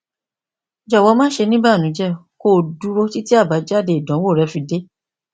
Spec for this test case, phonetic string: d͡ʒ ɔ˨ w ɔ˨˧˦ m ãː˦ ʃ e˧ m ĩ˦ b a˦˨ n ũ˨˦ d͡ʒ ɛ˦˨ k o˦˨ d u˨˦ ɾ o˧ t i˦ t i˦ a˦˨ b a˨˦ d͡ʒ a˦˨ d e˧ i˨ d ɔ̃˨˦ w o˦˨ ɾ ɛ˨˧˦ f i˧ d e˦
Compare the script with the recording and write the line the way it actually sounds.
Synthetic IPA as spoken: d͡ʒ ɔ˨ w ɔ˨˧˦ m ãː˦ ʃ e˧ n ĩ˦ b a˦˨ n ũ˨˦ d͡ʒ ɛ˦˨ k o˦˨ d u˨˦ ɾ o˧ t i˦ t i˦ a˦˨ b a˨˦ d͡ʒ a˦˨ d e˧ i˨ d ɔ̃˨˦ w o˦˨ ɾ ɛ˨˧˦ f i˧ d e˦